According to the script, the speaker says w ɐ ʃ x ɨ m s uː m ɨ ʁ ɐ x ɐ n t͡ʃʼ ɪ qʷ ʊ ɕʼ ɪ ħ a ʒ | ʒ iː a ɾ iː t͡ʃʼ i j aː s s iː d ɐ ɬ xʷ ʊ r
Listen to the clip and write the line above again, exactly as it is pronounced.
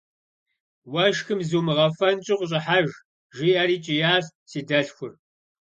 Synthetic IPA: w ɐ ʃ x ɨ m z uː m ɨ ʁ ɐ f ɐ n t͡ʃʼ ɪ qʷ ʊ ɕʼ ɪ ħ a ʒ | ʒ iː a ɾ iː t͡ʃʼ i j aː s s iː d ɐ ɬ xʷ ʊ r

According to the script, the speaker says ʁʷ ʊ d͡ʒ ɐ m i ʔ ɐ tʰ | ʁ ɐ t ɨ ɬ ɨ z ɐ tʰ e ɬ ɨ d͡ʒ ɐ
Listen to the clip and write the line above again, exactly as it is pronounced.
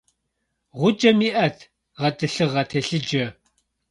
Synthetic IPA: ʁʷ ʊ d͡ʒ ɐ m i ʔ ɐ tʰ | ʁ ɐ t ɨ ɬ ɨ ʁ ɐ tʰ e ɬ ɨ d͡ʒ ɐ

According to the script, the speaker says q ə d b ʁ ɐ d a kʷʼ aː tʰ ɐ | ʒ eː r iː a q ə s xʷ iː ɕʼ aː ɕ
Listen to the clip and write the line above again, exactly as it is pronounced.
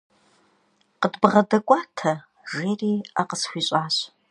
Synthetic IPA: q ə d b ʁ ɐ d ɐ kʷʼ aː tʰ ɐ | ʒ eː r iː a q ə s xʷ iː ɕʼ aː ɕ

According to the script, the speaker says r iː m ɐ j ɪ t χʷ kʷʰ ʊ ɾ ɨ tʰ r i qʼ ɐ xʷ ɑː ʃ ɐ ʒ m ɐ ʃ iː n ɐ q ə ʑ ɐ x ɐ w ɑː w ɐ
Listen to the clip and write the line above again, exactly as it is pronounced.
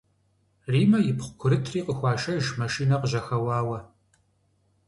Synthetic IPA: r iː m ɐ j ɪ p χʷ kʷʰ ʊ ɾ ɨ tʰ r iː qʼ ə xʷ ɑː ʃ ɐ ʒ m ɐ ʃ iː n ɐ q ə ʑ ɐ x ɐ w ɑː w ɐ

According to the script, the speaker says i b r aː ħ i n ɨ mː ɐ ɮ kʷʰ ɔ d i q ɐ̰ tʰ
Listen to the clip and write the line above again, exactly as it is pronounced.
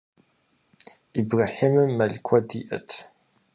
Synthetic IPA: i b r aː ħ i m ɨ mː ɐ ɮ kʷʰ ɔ d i ʔ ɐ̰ tʰ

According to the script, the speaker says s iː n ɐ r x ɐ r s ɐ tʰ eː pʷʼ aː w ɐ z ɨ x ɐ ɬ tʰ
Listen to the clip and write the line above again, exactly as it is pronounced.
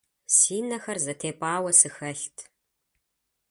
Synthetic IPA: s iː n ɐ x ɐ r z ɐ tʰ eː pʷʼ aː w ɐ s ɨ x ɐ ɬ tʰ

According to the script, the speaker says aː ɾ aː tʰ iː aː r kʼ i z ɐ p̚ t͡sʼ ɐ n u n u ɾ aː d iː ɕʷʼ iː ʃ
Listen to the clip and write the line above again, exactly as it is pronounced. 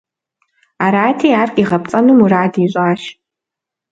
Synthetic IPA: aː ɾ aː tʰ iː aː r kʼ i ʁ ɐ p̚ t͡sʼ ɐ n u m u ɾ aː d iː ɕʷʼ aː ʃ

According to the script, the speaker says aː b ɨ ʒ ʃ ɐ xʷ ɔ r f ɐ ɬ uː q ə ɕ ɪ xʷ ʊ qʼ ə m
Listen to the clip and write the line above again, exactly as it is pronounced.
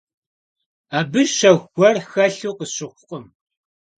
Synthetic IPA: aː b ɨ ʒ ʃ ɐ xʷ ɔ r x ɐ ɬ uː q ə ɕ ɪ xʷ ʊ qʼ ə m

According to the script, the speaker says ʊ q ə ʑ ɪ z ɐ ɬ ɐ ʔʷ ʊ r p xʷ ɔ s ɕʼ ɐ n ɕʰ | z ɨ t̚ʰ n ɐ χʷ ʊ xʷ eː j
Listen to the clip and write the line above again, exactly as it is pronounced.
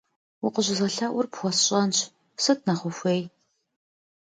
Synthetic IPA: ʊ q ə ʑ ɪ z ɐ ɬ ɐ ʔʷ ʊ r p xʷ ɔ s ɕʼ ɐ n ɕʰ | s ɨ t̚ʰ n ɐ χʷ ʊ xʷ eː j

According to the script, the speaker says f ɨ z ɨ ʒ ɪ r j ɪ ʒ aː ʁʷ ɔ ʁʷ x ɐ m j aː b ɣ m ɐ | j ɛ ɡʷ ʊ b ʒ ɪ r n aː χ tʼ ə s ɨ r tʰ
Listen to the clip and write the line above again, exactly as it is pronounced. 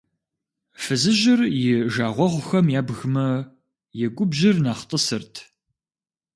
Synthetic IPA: f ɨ z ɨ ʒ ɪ r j ɪ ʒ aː ʁʷ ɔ ʁʷ x ɐ m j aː b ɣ m ɐ | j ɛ ɡʷ ʊ b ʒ ɪ r n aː χ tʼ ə s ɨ r tʰ

